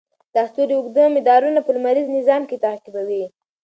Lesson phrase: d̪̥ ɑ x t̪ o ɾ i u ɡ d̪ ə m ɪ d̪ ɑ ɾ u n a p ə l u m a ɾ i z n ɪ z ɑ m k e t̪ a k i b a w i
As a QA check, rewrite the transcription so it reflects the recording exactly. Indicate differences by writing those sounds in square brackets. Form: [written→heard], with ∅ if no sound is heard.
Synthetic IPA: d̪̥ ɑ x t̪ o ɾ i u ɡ d̪ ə m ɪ d̪ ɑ ɾ u n a p ə l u m a ɾ i z n ɪ z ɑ m k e t̪ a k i b a w i